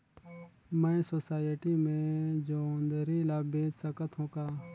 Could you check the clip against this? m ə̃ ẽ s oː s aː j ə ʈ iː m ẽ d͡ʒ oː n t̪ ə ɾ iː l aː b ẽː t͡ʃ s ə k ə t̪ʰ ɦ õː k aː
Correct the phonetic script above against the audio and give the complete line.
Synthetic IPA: m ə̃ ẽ s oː s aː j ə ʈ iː m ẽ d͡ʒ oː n d̪ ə ɾ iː l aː b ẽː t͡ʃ s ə k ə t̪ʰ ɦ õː k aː